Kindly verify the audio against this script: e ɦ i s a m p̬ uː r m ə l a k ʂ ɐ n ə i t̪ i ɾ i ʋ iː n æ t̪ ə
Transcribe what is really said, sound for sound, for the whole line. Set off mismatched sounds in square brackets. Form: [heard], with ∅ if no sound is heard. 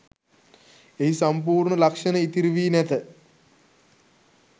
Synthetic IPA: e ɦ i s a m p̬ uː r [ɳ] ə l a k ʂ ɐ n ə i t̪ i ɾ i ʋ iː n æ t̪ ə